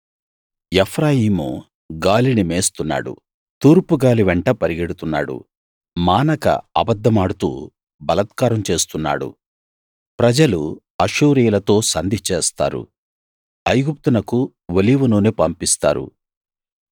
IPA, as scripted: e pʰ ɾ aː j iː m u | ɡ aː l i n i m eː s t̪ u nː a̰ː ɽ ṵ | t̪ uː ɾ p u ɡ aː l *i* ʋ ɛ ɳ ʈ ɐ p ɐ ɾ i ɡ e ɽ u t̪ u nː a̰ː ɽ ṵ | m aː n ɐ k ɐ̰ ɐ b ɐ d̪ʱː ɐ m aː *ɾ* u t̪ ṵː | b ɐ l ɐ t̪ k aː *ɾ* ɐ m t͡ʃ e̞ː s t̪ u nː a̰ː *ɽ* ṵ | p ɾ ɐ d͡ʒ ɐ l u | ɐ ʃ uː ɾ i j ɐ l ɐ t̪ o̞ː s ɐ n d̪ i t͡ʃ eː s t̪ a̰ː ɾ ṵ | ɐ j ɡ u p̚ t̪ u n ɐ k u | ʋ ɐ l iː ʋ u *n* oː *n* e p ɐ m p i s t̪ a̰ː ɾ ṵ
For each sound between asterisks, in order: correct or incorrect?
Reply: correct, incorrect, correct, correct, correct, correct

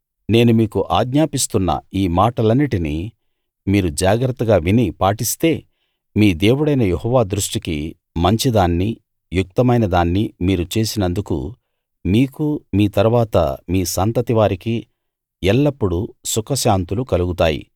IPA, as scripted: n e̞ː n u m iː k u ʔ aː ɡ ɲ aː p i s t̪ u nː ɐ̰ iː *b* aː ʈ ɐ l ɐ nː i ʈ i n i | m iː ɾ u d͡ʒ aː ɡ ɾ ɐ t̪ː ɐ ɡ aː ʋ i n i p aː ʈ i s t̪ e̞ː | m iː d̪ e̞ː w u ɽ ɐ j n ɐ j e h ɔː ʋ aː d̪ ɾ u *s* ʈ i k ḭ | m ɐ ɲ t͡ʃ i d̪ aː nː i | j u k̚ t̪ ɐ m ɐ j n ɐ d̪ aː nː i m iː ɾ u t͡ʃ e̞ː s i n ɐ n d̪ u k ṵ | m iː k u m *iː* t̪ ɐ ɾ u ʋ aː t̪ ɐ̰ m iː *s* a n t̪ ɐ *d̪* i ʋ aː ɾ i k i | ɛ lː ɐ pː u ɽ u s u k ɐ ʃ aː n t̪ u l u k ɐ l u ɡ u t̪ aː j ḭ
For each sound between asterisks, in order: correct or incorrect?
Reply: incorrect, incorrect, correct, correct, incorrect

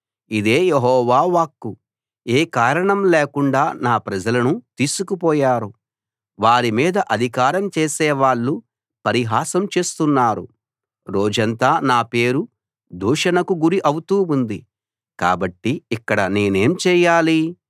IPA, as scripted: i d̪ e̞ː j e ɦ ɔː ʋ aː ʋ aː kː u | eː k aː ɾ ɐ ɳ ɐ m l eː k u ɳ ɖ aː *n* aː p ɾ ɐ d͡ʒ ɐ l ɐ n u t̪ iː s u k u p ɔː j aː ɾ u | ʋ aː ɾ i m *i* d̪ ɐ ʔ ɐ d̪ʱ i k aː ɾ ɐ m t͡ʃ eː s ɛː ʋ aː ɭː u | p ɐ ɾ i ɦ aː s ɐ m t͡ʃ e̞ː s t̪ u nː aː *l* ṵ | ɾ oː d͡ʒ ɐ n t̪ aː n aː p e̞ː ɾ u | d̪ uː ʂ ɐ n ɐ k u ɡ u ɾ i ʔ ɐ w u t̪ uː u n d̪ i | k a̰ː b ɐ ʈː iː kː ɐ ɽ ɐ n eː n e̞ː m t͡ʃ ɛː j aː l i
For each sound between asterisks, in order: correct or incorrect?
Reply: correct, incorrect, incorrect

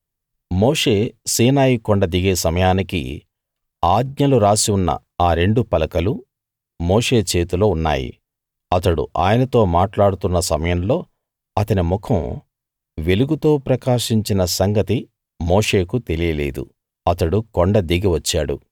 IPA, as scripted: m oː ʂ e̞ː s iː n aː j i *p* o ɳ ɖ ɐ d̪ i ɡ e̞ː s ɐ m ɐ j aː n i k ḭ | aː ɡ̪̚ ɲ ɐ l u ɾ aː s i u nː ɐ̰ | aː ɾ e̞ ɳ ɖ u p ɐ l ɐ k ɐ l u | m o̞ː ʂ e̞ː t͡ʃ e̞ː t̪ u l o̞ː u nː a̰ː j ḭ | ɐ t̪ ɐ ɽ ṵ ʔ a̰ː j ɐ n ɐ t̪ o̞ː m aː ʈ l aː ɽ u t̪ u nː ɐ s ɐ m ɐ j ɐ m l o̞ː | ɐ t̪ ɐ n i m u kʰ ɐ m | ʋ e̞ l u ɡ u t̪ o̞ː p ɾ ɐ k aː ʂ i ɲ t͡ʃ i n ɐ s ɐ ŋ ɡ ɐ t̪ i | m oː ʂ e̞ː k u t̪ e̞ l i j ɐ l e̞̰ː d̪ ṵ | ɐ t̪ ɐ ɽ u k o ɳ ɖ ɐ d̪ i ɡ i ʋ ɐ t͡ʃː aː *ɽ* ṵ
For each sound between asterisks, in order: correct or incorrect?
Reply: incorrect, correct

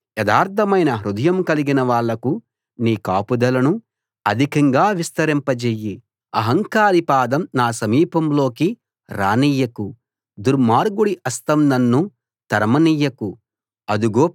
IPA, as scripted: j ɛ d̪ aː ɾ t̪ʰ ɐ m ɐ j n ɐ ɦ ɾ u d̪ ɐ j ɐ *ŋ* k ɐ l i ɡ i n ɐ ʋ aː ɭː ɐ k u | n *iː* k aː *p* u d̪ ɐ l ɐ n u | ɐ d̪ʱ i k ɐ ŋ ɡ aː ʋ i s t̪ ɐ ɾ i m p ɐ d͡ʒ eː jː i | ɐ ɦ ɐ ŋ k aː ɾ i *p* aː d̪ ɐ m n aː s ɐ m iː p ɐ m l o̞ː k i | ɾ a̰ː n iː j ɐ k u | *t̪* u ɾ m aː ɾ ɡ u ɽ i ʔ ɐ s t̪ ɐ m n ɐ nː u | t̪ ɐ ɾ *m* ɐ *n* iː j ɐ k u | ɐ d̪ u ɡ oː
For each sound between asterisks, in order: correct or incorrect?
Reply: incorrect, correct, correct, correct, incorrect, correct, correct

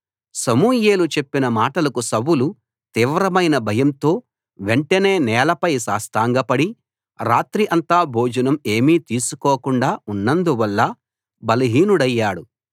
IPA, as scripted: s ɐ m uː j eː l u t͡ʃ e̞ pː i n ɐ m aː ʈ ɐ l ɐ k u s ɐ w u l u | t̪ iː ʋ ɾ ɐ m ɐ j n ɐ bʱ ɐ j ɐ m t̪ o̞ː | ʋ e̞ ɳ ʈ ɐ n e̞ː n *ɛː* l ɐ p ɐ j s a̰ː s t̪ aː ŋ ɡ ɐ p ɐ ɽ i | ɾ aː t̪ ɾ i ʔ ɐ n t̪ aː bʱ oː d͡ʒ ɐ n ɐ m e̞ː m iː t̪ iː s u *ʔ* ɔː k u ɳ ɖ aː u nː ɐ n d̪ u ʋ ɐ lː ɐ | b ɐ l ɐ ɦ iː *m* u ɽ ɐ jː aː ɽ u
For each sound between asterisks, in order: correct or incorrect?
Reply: correct, incorrect, incorrect

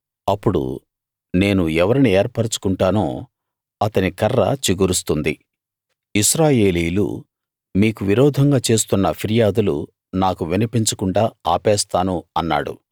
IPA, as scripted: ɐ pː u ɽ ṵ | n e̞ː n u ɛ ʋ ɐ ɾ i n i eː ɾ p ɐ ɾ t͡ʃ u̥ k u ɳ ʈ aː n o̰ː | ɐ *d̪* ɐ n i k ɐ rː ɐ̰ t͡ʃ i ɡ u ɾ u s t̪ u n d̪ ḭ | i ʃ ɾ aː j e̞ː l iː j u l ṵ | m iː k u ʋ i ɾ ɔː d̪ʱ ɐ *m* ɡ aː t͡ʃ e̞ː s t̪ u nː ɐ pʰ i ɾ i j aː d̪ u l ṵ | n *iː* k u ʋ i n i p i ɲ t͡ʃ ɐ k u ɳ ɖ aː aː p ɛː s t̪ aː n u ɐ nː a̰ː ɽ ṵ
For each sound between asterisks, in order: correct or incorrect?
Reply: incorrect, incorrect, incorrect

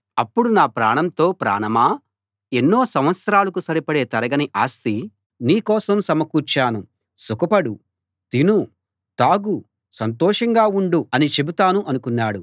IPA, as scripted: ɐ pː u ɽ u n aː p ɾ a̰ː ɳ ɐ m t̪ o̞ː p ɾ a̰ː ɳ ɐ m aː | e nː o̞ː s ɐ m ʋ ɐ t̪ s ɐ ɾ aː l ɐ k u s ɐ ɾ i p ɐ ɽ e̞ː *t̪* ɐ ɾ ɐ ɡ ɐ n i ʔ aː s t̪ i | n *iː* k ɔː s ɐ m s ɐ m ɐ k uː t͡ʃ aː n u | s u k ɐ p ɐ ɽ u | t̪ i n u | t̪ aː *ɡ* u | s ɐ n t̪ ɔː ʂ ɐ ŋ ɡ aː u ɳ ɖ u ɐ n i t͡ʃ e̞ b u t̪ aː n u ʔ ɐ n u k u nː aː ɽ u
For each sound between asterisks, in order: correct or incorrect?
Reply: correct, correct, correct

